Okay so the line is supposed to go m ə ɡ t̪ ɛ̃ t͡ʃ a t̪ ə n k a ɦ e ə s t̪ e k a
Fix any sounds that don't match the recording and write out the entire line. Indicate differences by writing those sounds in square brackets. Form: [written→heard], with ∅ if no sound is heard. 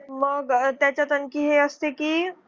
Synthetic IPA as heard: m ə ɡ t̪ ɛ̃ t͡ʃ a t̪ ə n k [a→i] ɦ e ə s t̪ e k [a→i]